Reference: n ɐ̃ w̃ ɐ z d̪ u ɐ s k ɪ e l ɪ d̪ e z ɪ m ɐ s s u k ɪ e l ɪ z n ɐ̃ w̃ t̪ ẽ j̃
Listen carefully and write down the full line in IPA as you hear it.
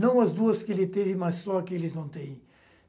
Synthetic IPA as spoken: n ɐ̃ w̃ ɐ z d̪ u ɐ s k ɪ e l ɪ t̪ e v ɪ m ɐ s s ɔ k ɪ e l ɪ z n ɐ̃ w̃ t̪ ẽ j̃